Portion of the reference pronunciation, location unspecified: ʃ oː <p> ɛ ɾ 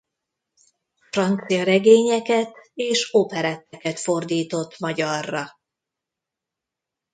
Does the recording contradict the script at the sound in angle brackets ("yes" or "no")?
no